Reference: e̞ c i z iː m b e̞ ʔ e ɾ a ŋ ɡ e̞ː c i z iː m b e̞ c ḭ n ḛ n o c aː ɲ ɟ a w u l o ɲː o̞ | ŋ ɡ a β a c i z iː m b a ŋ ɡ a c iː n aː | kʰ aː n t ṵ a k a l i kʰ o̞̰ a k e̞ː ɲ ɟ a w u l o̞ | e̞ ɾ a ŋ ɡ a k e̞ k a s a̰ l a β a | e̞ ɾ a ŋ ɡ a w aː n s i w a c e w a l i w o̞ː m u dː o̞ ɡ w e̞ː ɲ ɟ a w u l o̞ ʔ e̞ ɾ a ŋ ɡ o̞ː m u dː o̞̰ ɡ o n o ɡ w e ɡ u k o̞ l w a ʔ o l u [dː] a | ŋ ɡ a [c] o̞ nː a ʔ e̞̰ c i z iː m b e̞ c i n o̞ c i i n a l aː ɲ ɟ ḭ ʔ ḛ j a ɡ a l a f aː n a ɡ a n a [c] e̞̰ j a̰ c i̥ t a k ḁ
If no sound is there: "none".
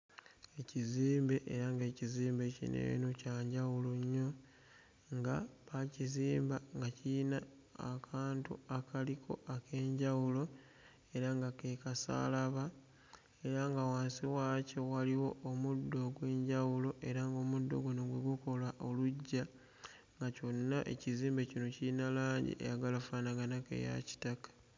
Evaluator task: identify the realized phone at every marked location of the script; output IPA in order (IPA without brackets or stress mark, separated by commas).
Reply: ɟː, c, k